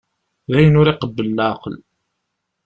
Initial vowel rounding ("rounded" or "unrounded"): unrounded